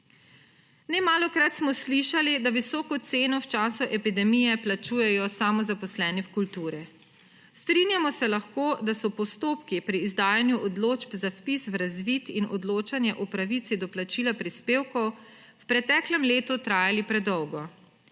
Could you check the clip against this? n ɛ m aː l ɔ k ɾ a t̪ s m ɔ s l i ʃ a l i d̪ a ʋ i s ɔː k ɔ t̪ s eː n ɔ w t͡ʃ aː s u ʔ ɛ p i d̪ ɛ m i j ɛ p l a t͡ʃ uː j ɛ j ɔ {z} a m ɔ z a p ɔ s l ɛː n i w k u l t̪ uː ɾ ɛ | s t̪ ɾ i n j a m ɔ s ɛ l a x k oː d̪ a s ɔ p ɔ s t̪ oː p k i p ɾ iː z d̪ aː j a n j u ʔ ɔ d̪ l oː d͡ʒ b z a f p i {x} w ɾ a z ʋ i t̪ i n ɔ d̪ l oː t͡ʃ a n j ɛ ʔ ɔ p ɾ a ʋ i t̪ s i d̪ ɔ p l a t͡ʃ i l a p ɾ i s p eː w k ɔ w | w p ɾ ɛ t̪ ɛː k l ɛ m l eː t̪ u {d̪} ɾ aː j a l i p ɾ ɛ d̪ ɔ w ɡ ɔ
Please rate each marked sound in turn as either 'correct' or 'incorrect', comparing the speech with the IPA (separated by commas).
incorrect, incorrect, incorrect